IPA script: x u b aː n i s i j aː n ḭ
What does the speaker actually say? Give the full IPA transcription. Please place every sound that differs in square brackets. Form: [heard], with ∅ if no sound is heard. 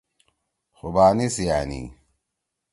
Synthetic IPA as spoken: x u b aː n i s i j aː n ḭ